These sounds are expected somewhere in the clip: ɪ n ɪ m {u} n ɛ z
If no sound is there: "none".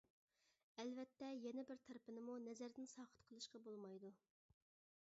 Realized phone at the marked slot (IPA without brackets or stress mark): u